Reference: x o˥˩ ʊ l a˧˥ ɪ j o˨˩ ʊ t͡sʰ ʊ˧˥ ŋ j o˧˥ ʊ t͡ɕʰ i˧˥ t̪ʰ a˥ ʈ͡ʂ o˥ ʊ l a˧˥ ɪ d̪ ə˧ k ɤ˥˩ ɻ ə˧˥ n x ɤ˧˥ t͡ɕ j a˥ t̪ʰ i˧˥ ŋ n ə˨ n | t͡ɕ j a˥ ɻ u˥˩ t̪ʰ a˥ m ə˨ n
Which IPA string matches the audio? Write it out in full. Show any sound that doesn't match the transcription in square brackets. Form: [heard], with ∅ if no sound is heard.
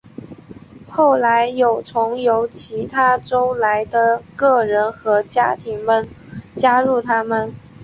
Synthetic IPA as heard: x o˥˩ ʊ l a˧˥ ɪ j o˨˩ ʊ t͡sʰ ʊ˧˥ ŋ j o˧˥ ʊ t͡ɕʰ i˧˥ t̪ʰ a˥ ʈ͡ʂ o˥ ʊ l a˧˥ ɪ d̪ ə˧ k ɤ˥˩ ɻ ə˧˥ n x ɤ˧˥ t͡ɕ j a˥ t̪ʰ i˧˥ ŋ [m] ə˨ n | t͡ɕ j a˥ ɻ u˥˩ t̪ʰ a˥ m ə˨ n